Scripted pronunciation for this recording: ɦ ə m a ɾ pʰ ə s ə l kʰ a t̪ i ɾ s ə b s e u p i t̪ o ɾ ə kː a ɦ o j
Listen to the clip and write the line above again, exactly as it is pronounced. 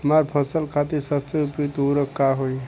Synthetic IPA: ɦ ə m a ɾ pʰ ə s ə l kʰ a t̪ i ɾ s ə b s e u p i t̪ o ɾ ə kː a ɦ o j